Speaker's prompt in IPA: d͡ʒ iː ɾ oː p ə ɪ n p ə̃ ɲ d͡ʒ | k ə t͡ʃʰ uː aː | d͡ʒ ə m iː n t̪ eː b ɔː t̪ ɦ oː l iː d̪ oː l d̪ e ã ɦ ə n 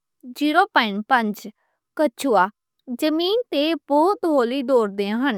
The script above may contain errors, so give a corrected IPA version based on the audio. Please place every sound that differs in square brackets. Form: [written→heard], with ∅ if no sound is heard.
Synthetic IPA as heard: d͡ʒ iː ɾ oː p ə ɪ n p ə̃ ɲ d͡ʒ | k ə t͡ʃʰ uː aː | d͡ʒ ə m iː n t̪ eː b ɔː t̪ ɦ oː l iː d̪ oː [l→ɾ] d̪ e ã ɦ ə n